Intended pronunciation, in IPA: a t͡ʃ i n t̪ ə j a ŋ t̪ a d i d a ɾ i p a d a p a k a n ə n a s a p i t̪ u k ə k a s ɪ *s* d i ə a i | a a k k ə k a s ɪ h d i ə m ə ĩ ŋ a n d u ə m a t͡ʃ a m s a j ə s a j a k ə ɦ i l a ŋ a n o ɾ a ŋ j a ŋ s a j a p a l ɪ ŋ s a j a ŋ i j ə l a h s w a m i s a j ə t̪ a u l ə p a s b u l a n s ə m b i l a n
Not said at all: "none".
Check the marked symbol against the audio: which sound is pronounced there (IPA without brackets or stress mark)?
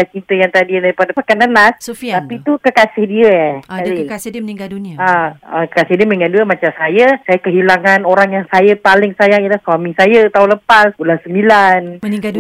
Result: h